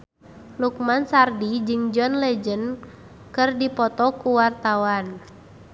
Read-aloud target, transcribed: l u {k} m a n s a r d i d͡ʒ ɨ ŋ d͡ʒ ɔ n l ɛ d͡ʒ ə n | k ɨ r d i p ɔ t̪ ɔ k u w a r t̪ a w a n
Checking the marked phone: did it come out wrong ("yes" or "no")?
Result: no